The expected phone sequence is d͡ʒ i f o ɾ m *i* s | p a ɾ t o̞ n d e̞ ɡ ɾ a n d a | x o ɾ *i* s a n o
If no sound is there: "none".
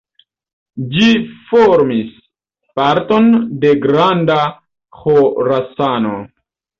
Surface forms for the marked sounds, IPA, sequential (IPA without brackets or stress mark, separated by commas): i, a